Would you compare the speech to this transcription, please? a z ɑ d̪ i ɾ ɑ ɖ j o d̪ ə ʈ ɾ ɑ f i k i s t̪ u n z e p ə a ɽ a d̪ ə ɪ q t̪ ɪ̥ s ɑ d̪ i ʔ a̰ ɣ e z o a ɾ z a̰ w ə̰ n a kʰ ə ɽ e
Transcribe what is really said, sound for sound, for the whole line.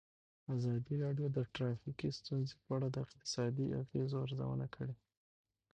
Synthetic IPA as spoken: a z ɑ d̪ i ɾ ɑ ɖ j o d̪ ə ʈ ɾ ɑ f i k i s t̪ u n z e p ə a ɽ a d̪ ə ɪ q t̪ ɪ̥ s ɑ d̪ i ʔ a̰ ɣ e z o a ɾ z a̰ w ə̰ n a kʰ ə ɽ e